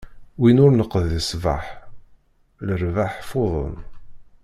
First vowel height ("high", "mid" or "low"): high